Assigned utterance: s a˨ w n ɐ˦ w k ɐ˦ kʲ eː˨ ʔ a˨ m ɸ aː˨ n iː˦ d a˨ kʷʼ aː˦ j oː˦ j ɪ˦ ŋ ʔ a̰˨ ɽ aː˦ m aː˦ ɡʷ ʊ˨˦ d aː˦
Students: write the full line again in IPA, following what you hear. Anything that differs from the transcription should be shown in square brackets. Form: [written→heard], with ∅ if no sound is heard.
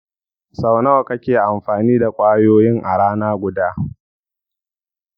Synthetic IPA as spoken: s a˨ w n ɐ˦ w k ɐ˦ kʲ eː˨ ʔ a˨ m ɸ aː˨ n iː˦ d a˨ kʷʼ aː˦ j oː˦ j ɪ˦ ŋ ʔ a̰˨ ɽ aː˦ [m→n] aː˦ ɡʷ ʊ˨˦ d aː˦

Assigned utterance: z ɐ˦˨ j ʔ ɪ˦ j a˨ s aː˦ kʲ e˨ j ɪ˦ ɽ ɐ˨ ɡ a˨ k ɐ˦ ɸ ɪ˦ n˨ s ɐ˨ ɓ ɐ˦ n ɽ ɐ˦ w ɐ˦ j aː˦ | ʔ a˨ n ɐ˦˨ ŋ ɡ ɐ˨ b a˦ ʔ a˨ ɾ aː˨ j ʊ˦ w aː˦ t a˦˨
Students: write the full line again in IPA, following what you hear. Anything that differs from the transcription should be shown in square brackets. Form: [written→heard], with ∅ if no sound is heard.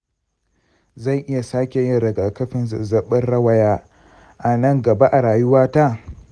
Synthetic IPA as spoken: z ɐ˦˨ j ʔ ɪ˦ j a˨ s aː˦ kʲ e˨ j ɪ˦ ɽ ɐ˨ ɡ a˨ k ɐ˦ ɸ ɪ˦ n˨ [s→z] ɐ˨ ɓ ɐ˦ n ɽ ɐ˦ w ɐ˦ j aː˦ | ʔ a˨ n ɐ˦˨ ŋ ɡ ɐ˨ b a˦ ʔ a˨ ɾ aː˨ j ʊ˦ w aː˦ t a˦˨

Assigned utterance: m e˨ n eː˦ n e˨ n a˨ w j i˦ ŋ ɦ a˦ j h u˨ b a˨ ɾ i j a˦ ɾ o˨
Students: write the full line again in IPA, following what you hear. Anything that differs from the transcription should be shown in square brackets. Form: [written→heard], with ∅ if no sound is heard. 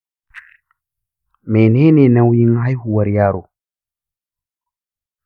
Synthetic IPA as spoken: m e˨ n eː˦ n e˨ n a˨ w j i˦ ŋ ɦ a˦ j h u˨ [b→w] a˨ ɾ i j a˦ ɾ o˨

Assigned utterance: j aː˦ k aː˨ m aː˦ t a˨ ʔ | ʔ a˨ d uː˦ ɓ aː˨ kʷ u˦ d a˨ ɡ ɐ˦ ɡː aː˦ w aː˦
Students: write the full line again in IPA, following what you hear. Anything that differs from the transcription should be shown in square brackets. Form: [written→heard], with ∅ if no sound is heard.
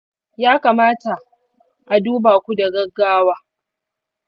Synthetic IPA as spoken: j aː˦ k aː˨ m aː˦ t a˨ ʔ | ʔ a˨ d uː˦ [ɓ→b] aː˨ kʷ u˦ d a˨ ɡ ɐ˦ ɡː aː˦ w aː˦

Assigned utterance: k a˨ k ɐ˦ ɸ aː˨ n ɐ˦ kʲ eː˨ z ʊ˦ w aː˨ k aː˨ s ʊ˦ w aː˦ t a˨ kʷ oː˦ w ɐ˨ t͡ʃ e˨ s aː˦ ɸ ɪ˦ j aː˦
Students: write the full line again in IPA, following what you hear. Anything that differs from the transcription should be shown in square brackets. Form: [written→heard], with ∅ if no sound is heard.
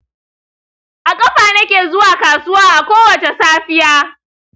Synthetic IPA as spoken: [k→ʔ] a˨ [k→kʼ] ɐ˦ ɸ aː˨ n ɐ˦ kʲ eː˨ z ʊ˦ w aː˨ k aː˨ s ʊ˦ w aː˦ [t→ʔ] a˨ kʷ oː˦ w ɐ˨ t͡ʃ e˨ s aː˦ ɸ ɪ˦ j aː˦

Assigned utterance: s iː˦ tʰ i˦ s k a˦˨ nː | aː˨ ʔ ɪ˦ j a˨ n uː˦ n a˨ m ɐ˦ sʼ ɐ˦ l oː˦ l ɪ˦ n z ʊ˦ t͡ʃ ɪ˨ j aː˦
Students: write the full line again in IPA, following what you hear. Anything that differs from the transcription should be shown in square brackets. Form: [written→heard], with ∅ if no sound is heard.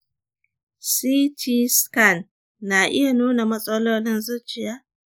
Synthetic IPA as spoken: s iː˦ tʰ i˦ s k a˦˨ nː | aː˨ ʔ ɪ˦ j a˨ n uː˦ n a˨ m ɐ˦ sʼ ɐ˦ l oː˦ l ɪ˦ n z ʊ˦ t͡ʃ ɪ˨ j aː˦

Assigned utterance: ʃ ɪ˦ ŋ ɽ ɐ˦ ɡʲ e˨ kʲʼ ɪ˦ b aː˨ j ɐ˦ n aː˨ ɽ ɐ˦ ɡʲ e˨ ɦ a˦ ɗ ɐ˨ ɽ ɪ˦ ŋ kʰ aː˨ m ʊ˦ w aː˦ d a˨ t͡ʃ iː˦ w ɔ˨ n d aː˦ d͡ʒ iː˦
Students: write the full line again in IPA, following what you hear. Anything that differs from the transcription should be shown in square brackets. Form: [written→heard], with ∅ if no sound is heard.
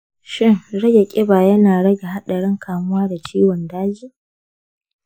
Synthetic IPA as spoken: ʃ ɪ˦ ŋ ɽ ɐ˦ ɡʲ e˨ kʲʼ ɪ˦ b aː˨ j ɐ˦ n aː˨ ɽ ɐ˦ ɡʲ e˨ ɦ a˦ ɗ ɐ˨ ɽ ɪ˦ ŋ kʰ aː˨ m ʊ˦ w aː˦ d a˨ t͡ʃ iː˦ w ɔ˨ n d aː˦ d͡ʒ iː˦

